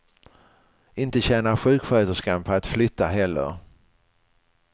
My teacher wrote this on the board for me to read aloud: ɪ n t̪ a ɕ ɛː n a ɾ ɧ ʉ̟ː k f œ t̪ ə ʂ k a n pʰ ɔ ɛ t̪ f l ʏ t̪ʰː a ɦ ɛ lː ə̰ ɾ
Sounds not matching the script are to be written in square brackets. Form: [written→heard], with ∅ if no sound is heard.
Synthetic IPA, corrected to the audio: ɪ n t̪ [a→ə] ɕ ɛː n a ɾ ɧ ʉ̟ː k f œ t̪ ə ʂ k a n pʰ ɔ [ɛ→a] t̪ f l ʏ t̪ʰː a ɦ ɛ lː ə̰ ɾ